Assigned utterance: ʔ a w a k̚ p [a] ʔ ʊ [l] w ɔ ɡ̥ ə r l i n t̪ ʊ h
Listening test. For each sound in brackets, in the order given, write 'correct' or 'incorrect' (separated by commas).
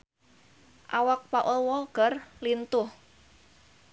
correct, correct